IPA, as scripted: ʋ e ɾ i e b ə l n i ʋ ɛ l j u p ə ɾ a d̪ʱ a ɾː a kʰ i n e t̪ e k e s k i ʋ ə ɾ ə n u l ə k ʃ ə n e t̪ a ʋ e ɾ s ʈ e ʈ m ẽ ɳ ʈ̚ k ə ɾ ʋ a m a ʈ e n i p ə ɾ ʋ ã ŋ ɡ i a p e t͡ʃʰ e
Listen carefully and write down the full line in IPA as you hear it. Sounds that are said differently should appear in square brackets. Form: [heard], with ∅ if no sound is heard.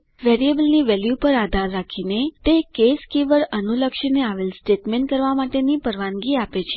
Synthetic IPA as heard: ʋ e ɾ i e b ə l n i ʋ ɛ l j u p ə ɾ a d̪ʱ a ɾː a kʰ i n e t̪ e k e s k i ʋ ə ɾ ə n u l ə k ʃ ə n e [∅] a ʋ e [l] s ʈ e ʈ m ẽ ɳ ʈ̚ k ə ɾ ʋ a m a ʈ e n i p ə ɾ ʋ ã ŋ ɡ i a p e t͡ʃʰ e